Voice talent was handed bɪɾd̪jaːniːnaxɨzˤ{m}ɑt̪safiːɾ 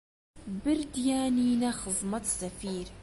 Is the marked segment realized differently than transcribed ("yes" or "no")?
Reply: no